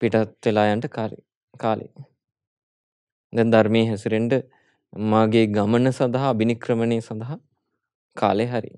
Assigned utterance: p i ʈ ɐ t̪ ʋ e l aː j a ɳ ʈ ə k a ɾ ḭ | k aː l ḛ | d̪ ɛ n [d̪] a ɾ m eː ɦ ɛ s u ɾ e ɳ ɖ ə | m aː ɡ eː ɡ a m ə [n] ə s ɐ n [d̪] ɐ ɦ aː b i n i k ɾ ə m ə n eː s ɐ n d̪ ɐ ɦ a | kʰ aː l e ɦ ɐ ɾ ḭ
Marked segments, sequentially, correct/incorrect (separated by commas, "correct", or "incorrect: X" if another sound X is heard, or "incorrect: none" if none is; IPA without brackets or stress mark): correct, correct, correct